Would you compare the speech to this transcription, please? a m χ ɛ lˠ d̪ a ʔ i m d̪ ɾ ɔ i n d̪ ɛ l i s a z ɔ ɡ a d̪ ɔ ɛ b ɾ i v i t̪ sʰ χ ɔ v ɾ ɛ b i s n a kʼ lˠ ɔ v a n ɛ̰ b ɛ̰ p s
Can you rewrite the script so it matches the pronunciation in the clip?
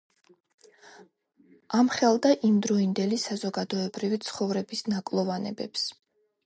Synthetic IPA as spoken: a m χ ɛ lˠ d̪ a ʔ i m d̪ ɾ ɔ i n d̪ ɛ l i s a z ɔ ɡ a d̪ ɔ ɛ b ɾ i v i t̪ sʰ χ ɔ v ɾ ɛ b i s n a kʼ lˠ ɔ v a n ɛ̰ b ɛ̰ p s